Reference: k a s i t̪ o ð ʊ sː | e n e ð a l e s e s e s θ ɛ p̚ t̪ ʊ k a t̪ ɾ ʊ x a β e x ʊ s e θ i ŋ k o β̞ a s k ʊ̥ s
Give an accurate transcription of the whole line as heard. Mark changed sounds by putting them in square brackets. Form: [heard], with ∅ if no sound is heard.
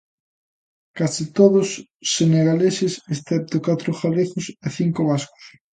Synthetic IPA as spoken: k a s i t̪ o ð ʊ sː | e n e [ɣ] a l e s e s e s θ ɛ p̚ t̪ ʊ k a t̪ ɾ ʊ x a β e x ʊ s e θ i ŋ k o β̞ a s k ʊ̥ s